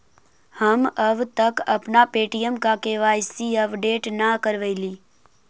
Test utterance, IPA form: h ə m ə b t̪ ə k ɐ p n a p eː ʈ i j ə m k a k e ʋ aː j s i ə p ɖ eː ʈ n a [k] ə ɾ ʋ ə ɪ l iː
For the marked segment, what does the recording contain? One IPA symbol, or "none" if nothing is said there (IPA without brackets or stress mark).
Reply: k